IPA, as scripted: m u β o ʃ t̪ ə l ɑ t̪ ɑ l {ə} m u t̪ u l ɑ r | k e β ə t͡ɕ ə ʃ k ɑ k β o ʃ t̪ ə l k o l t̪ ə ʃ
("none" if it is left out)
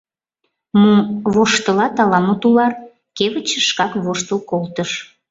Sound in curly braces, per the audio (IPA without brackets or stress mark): ɑ